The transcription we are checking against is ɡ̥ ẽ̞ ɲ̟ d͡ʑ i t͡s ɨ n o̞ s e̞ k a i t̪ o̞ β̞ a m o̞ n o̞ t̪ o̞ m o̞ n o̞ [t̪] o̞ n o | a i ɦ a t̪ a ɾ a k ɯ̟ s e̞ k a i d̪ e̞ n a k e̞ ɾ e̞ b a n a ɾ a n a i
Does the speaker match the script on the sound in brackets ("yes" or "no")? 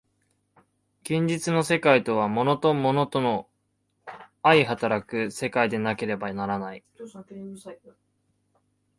yes